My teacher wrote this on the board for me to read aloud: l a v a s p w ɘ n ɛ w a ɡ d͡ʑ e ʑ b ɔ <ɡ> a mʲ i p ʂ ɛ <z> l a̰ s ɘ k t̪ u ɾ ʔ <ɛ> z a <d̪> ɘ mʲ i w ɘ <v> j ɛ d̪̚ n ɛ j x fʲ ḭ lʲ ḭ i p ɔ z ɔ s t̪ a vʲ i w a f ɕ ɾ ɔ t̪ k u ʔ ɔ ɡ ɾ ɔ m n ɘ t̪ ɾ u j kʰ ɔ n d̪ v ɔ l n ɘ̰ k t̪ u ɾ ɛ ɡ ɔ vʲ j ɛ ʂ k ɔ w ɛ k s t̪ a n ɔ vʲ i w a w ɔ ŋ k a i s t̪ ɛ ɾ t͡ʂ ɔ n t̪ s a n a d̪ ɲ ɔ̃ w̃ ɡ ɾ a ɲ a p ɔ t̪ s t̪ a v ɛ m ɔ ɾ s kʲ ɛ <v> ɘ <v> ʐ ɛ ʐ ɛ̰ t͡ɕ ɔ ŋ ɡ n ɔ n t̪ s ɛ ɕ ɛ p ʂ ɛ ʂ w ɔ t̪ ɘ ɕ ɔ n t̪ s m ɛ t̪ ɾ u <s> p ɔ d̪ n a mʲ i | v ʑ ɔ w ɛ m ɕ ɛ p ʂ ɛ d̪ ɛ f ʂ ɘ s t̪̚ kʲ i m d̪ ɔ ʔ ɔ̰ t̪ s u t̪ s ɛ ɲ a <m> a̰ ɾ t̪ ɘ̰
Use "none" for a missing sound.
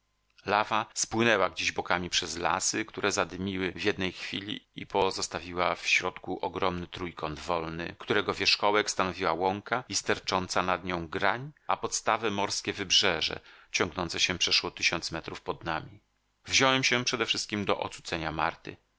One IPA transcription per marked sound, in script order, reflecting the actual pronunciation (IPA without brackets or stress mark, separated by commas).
k, z, ɛ, d̪, v, v, b, f, m